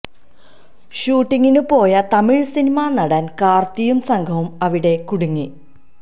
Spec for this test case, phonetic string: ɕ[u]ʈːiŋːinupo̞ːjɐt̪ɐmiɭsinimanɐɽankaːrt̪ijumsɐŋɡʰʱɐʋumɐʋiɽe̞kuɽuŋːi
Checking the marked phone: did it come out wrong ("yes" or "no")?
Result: yes